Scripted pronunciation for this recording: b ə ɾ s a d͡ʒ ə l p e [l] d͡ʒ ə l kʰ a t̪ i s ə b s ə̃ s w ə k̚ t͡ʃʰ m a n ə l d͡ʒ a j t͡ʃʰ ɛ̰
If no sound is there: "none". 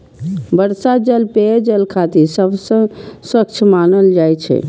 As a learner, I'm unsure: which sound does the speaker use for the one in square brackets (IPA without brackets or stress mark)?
none